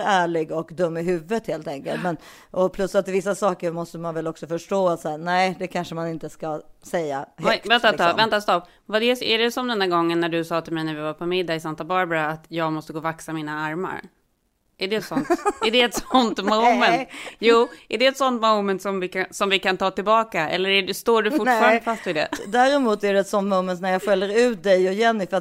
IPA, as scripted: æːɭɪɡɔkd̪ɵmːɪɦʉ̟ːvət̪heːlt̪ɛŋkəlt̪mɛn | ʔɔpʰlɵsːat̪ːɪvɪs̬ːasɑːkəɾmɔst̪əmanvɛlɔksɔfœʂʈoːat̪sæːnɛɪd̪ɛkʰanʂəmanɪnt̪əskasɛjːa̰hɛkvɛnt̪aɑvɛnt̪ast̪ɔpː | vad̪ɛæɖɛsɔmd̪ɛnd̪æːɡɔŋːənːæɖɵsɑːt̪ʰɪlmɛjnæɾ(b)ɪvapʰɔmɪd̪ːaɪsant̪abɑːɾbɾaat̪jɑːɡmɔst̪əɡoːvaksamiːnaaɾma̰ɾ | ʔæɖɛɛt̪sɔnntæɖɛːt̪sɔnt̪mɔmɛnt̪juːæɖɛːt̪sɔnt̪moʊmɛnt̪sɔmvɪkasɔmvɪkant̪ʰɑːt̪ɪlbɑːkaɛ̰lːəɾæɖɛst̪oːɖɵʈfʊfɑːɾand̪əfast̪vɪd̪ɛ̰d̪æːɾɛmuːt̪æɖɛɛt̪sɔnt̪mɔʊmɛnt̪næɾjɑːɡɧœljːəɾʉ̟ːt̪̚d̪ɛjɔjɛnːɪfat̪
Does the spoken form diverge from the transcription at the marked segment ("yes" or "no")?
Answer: yes